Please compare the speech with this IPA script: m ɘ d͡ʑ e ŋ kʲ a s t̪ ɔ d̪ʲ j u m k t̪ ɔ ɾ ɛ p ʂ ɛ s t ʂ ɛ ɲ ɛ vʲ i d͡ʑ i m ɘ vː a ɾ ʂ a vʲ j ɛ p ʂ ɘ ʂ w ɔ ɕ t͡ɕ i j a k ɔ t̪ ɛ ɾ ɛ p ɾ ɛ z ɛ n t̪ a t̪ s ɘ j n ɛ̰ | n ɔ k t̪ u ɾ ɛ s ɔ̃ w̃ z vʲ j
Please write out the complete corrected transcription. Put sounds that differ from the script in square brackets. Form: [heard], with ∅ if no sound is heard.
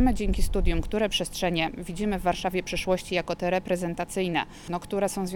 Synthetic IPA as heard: m ɘ d͡ʑ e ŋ kʲ [i] s t̪ [u] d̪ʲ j u m k t̪ [u] ɾ ɛ p ʂ ɛ s t ʂ ɛ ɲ ɛ vʲ i d͡ʑ i m ɘ vː a ɾ ʂ a vʲ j ɛ p ʂ ɘ ʂ w ɔ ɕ t͡ɕ i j a k ɔ t̪ ɛ ɾ ɛ p ɾ ɛ z ɛ n t̪ a t̪ s ɘ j n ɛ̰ | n ɔ k t̪ u ɾ ɛ s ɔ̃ w̃ z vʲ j